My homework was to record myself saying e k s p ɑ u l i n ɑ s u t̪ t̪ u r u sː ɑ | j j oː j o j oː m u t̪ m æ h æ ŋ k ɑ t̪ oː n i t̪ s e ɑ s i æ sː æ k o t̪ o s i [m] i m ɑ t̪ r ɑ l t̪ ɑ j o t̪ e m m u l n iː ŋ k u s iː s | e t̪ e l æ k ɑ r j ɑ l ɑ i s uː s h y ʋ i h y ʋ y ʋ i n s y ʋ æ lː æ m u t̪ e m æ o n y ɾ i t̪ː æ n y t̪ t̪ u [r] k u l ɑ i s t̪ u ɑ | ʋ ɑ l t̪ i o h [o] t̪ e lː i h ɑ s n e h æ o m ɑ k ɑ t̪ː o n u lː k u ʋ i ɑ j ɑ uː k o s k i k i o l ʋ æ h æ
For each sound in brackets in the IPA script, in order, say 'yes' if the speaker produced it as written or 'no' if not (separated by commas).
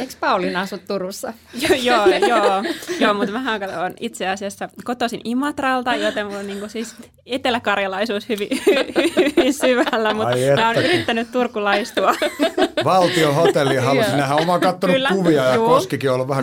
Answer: no, yes, yes